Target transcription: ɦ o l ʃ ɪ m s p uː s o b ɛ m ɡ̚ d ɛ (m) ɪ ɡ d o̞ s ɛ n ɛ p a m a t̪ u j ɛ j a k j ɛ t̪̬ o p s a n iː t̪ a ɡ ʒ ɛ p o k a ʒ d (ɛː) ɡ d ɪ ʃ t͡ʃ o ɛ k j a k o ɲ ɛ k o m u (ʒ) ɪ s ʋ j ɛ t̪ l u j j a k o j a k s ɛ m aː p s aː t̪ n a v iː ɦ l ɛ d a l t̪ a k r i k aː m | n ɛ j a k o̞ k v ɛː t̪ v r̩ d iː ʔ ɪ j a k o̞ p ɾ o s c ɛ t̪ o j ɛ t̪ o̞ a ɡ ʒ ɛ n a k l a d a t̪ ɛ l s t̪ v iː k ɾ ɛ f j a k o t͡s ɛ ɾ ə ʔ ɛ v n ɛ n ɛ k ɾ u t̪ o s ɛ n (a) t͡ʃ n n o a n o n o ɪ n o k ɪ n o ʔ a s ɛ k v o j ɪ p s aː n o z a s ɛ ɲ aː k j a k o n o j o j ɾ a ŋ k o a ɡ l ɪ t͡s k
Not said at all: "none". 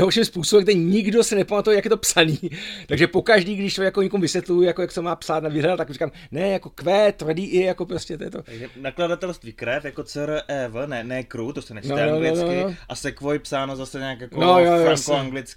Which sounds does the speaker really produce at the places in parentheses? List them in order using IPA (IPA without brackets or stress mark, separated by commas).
ɲ, iː, v, ɛ